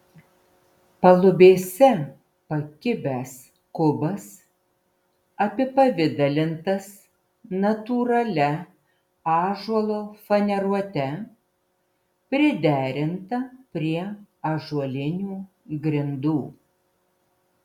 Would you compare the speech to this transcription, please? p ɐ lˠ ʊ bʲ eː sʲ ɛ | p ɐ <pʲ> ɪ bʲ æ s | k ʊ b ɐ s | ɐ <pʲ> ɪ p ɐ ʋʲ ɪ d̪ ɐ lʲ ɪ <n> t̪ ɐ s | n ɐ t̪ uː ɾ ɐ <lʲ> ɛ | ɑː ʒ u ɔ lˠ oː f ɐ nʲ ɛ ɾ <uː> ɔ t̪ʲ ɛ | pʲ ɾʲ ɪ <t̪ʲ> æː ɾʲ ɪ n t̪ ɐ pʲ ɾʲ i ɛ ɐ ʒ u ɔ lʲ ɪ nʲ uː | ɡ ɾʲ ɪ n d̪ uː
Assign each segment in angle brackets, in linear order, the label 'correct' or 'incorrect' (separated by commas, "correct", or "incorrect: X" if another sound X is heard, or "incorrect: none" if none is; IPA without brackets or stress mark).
incorrect: kʲ, correct, correct, correct, incorrect: u, incorrect: d̪ʲ